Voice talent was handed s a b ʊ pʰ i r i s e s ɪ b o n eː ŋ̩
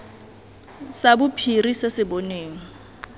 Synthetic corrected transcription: s a b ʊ pʰ i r i s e s ɪ b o n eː ŋ̩